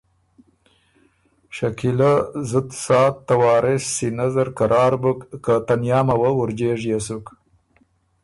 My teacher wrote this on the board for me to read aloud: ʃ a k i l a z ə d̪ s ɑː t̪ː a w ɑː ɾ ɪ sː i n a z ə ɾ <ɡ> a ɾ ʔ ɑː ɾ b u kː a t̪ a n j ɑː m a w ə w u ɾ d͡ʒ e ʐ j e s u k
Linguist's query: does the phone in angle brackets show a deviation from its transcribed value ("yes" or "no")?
yes